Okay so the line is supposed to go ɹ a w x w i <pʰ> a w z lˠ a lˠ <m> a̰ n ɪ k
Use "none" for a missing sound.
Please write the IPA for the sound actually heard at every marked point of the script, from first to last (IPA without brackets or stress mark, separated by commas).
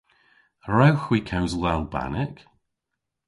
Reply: kʰ, b